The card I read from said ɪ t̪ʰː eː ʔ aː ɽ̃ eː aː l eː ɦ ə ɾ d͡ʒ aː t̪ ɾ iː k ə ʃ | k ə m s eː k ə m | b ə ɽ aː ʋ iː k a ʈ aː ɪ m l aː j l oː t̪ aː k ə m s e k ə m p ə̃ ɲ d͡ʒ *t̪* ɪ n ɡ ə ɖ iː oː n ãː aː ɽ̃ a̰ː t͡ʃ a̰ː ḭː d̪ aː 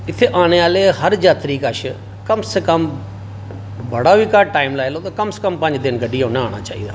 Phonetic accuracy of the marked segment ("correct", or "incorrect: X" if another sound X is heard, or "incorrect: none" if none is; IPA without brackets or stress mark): incorrect: d̪